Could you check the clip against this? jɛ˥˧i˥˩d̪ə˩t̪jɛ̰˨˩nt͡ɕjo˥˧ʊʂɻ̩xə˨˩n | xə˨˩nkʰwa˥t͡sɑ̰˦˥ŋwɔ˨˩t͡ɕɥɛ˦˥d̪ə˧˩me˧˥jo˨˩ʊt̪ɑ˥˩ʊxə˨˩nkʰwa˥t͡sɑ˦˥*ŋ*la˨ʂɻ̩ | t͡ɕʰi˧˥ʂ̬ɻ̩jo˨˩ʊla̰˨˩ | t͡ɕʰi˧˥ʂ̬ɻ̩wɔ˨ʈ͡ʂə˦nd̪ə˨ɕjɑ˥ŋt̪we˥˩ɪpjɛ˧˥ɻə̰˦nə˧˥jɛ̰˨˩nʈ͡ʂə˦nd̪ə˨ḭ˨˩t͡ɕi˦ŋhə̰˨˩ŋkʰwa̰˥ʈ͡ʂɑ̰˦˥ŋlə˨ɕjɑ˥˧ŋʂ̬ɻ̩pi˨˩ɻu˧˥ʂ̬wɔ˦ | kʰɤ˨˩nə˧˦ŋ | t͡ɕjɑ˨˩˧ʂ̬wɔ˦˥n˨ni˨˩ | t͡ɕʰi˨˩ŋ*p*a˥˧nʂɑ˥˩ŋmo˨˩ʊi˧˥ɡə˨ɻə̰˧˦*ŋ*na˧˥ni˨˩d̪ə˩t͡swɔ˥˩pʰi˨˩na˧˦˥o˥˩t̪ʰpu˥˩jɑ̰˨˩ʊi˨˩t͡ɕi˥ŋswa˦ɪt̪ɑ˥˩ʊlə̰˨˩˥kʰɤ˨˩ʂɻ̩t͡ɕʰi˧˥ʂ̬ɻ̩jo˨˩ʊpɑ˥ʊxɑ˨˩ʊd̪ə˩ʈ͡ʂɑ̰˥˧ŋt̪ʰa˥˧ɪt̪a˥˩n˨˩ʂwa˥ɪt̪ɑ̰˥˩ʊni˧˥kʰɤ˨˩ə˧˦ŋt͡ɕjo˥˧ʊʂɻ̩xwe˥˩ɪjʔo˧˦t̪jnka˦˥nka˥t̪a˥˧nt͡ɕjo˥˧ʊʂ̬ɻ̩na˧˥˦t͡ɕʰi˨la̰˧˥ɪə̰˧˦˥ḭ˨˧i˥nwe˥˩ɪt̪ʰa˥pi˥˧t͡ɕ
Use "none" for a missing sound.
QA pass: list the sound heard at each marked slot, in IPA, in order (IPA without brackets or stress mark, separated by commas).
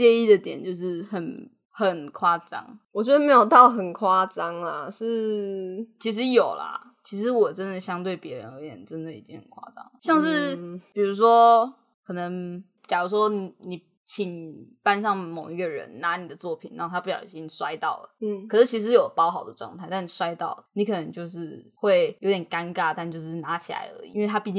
ŋ, p, n